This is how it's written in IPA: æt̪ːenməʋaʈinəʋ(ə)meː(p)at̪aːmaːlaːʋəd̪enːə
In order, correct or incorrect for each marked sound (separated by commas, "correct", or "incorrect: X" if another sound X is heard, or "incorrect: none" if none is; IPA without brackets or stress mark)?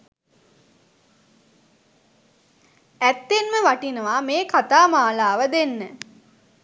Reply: incorrect: a, incorrect: k